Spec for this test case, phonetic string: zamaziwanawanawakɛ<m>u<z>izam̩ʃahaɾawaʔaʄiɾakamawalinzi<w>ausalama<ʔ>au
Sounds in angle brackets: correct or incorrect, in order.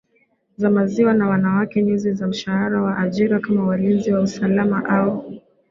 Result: incorrect, correct, correct, correct

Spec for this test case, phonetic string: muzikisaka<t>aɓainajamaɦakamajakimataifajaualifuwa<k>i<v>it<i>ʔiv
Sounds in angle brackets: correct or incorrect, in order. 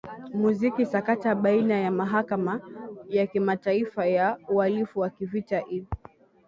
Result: correct, correct, correct, incorrect

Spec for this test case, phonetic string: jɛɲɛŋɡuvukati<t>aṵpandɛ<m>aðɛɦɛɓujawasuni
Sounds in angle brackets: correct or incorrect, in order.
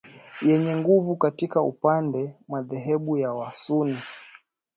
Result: incorrect, correct

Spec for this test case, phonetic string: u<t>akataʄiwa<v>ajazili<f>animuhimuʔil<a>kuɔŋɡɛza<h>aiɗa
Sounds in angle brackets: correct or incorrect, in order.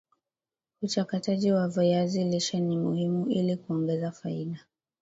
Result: incorrect, correct, incorrect, incorrect, incorrect

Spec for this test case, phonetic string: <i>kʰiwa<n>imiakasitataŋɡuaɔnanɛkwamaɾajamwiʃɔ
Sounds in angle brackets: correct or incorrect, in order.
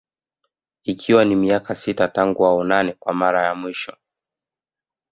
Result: correct, correct

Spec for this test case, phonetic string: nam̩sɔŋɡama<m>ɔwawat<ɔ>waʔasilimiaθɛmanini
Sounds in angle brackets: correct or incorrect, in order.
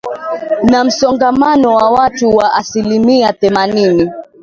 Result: incorrect, incorrect

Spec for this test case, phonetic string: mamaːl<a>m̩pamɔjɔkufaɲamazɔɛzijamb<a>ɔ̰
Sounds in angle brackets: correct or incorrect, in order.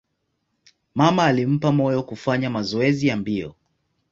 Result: incorrect, incorrect

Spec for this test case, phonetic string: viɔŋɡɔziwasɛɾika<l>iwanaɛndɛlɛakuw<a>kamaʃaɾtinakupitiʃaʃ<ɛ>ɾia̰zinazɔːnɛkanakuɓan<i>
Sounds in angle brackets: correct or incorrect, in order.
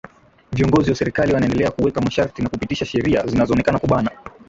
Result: correct, incorrect, correct, incorrect

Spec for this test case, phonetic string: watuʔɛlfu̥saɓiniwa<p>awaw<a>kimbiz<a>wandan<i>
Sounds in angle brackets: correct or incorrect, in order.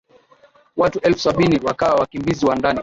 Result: incorrect, correct, incorrect, correct

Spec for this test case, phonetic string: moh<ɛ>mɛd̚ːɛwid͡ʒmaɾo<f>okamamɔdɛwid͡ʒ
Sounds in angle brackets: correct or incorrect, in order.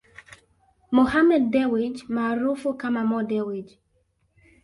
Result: incorrect, correct

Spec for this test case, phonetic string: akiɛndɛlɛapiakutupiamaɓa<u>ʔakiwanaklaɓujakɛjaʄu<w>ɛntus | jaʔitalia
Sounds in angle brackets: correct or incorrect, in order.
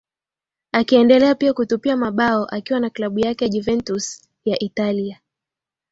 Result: incorrect, incorrect

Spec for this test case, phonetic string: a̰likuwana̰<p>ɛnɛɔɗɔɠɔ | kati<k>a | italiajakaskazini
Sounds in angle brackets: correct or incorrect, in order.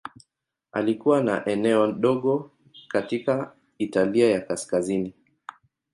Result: incorrect, correct

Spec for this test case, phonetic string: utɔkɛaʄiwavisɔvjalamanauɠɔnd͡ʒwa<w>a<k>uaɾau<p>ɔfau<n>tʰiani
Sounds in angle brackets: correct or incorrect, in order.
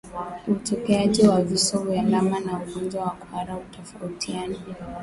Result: correct, correct, incorrect, incorrect

